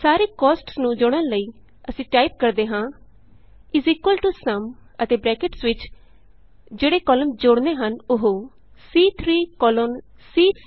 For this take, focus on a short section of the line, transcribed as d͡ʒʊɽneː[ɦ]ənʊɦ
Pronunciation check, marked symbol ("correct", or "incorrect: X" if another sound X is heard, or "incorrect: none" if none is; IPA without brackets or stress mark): correct